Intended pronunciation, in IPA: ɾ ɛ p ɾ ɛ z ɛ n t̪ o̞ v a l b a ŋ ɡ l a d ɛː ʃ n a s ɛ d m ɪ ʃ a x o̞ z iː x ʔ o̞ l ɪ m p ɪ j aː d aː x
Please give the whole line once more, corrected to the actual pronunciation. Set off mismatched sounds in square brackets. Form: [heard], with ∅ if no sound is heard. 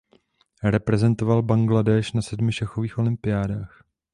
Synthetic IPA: ɾ ɛ p ɾ ɛ z ɛ n t̪ o̞ v a l b a ŋ ɡ l a d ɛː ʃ n a s ɛ d m ɪ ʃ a x o̞ [v] iː x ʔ o̞ l ɪ m p ɪ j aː d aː x